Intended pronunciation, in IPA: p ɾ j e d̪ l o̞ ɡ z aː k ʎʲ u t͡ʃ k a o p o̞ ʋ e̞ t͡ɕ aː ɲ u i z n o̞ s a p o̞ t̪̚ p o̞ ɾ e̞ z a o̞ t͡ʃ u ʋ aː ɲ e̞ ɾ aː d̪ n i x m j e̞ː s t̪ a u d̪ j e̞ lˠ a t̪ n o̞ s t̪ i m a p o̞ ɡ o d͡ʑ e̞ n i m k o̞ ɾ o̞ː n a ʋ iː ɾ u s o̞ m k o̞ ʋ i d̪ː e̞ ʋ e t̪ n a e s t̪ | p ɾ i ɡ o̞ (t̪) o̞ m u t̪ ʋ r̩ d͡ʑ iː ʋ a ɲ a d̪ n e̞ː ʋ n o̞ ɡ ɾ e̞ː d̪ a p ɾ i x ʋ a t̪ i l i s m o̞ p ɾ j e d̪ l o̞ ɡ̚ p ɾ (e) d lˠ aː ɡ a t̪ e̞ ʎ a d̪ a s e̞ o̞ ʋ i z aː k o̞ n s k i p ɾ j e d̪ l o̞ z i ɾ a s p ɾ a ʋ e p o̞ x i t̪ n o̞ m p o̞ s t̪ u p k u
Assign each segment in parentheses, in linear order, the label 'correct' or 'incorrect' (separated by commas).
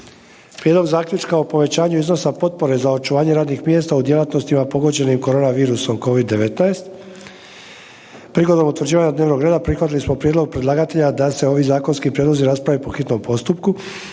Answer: incorrect, correct